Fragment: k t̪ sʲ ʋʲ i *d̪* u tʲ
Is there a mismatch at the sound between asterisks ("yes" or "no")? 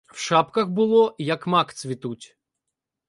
yes